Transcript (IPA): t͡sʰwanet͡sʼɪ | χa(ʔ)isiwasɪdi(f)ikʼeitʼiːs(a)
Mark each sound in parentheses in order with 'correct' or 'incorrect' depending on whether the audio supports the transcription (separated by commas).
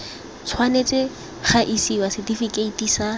correct, correct, correct